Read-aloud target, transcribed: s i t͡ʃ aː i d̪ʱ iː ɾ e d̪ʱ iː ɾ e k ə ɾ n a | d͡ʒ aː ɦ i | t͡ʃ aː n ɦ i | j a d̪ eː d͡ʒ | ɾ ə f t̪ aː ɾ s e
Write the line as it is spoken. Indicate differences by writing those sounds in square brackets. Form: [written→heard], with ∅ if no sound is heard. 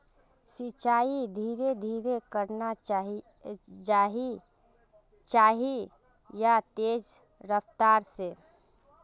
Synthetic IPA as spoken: s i t͡ʃ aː i d̪ʱ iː ɾ e d̪ʱ iː ɾ e k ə ɾ n a | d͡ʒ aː ɦ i | t͡ʃ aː [n→∅] ɦ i | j a [d̪→t̪] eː d͡ʒ | ɾ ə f t̪ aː ɾ s e